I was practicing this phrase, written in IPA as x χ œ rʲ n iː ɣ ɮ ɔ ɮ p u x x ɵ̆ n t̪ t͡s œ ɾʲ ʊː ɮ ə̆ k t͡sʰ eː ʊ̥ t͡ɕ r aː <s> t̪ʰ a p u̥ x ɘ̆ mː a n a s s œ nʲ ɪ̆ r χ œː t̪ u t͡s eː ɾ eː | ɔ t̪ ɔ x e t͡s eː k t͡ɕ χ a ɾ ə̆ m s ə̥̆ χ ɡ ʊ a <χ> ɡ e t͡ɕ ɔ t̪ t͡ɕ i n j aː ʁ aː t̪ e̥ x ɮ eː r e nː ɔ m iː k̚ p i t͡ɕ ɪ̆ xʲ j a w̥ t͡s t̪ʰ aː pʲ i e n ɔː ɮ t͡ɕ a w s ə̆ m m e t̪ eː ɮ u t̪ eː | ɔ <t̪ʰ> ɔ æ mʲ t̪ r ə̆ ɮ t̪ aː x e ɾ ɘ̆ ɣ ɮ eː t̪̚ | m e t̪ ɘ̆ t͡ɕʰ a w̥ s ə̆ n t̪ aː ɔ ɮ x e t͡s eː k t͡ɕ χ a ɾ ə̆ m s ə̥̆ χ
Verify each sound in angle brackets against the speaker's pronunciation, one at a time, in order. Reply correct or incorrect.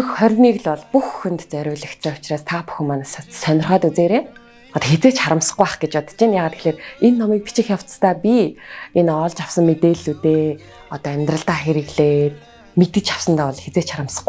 correct, correct, incorrect

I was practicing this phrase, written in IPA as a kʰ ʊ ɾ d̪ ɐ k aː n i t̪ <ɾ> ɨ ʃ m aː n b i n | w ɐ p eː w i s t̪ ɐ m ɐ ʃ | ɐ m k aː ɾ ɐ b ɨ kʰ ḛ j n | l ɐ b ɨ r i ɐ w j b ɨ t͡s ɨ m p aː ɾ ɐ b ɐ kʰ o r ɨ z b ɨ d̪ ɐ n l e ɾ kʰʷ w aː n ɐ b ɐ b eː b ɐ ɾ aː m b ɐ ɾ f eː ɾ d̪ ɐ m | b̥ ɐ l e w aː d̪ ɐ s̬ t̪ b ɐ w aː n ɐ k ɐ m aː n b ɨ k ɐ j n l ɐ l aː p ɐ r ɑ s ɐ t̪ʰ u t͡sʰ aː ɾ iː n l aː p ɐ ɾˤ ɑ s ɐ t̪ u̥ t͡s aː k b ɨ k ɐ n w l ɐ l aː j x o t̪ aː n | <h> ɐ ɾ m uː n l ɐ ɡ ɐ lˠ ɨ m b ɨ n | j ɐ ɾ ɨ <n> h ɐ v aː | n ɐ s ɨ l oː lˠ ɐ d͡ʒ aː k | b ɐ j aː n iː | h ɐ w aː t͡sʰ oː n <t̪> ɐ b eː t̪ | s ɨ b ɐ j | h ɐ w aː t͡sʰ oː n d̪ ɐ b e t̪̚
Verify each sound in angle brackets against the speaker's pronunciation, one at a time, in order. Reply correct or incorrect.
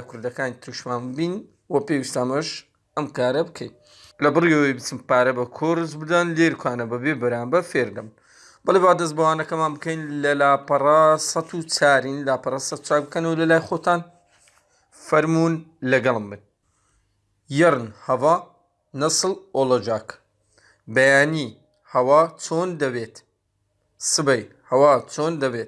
correct, incorrect, correct, incorrect

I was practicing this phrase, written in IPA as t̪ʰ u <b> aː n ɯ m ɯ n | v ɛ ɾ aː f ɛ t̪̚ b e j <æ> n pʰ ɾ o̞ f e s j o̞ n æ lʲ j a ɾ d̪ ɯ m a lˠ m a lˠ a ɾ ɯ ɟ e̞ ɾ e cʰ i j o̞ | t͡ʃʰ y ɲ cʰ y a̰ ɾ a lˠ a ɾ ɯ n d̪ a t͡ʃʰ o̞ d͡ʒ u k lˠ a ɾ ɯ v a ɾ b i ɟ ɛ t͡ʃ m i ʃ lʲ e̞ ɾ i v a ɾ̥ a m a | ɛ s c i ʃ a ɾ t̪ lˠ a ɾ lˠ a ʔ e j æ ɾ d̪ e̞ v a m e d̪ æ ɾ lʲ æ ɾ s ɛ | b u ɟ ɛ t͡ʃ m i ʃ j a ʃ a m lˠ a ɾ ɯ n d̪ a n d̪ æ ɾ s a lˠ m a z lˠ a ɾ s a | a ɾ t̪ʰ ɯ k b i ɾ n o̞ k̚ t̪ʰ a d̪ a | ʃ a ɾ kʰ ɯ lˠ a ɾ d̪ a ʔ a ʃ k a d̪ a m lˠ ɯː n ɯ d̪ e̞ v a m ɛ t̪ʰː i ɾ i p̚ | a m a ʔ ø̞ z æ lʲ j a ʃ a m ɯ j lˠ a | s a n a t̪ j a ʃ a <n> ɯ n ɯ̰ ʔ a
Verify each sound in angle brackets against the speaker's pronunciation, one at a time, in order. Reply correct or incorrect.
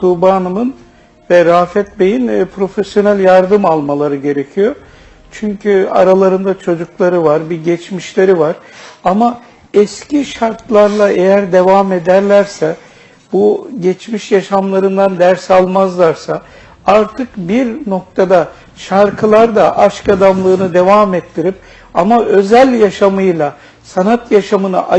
correct, incorrect, incorrect

